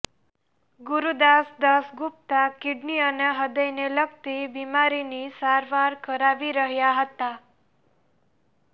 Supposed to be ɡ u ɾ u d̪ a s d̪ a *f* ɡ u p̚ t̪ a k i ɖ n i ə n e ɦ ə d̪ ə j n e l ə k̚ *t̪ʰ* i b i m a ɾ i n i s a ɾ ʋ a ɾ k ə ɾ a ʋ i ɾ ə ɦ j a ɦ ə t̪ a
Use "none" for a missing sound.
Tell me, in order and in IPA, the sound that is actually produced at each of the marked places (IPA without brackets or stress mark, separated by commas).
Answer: s, t̪